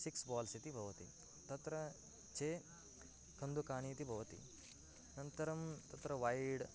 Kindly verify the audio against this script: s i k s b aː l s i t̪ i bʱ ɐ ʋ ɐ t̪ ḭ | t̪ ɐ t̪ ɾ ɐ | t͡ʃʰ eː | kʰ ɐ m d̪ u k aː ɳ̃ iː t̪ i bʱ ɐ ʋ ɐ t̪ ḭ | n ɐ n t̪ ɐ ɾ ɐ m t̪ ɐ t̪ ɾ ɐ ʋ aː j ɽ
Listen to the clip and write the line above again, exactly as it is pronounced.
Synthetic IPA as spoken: s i k s b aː l s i t̪ i bʱ ɐ ʋ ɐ t̪ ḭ | t̪ ɐ t̪ ɾ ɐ | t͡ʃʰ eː | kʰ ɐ n d̪ u k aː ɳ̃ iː t̪ i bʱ ɐ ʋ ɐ t̪ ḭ | n ɐ n t̪ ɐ ɾ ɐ m t̪ ɐ t̪ ɾ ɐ ʋ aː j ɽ